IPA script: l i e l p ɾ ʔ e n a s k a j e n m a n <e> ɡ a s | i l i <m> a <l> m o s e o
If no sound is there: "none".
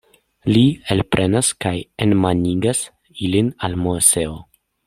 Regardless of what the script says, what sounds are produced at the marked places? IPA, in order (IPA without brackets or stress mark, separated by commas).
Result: i, n, l